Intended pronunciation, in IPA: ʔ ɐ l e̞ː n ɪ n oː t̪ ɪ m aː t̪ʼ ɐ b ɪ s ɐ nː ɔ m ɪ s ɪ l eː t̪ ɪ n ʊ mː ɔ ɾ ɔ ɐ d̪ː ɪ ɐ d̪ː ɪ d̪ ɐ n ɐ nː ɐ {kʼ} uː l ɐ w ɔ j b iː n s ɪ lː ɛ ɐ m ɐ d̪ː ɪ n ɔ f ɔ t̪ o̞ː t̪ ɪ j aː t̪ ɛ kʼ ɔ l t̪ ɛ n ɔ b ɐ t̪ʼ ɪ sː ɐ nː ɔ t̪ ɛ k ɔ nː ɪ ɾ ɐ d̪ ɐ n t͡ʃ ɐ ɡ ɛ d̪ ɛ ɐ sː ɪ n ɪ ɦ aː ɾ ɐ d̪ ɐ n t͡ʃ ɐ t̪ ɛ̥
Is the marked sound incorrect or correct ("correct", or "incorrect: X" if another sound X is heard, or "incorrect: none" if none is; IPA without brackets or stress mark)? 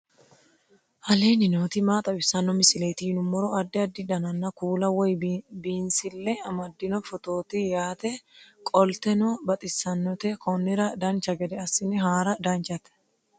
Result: incorrect: k